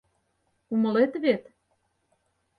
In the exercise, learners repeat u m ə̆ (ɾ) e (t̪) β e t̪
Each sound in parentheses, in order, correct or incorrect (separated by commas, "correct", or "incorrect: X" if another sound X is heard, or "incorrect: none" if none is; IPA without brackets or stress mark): incorrect: l, correct